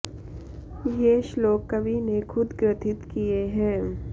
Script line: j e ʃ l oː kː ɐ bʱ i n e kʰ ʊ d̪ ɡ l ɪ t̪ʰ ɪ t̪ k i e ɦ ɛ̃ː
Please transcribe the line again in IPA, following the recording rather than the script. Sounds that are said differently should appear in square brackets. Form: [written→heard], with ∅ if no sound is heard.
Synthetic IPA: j e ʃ l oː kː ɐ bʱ i n e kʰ ʊ d̪ ɡ [l→ɾ] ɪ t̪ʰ ɪ t̪ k i e ɦ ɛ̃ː